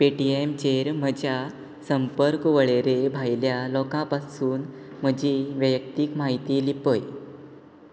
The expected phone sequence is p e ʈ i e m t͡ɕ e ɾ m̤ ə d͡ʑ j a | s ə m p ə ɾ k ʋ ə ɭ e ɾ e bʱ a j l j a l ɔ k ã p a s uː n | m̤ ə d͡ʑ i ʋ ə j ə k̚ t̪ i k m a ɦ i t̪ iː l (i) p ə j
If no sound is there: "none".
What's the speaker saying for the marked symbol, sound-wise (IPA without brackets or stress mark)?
i